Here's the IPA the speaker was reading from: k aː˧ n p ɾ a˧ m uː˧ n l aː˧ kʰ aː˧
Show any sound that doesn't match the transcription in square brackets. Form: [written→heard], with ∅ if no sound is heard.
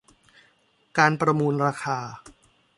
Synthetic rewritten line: k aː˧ n p ɾ a˧ m uː˧ n [l→ɾ] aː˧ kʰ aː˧